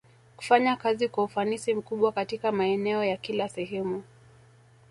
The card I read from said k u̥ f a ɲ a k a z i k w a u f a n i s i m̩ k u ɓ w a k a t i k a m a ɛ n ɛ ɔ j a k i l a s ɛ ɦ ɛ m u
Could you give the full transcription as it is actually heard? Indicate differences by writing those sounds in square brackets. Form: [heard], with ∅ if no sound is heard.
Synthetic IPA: k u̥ f a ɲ a k a z i k w a u f a n i s i m̩ k u ɓ w a k a t i k a m a ɛ n ɛ ɔ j a k i l a s ɛ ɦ ɛ m u